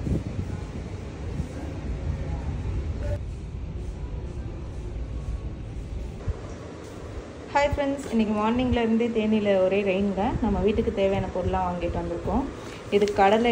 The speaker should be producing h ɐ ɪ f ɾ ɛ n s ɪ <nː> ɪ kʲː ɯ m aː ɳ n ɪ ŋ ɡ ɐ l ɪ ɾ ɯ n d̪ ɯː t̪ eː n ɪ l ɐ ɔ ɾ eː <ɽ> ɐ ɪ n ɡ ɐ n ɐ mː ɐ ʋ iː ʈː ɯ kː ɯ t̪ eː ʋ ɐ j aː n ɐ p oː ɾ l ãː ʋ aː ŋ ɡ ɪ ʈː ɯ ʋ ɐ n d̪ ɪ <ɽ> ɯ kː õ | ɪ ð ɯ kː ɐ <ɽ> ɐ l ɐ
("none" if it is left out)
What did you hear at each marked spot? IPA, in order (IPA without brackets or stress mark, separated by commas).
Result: nː, ɾ, ɾ, ɽ